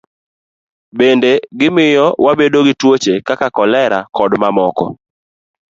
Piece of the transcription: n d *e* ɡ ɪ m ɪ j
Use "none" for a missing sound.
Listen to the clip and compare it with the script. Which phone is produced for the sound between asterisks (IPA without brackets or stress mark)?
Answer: e